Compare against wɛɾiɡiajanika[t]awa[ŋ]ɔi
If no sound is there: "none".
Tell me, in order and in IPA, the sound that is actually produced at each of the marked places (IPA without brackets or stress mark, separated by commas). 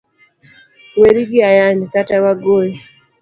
t, ɡ